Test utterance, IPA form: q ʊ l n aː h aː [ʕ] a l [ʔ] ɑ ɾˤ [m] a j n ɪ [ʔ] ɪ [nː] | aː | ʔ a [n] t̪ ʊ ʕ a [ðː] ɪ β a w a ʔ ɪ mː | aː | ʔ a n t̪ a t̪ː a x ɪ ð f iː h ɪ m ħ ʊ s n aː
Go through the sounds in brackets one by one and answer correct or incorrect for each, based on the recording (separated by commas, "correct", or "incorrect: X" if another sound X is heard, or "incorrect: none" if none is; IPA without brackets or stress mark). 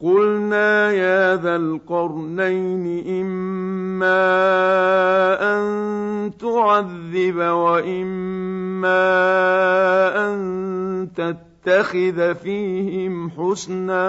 incorrect: ð, incorrect: q, incorrect: n, correct, incorrect: mː, correct, correct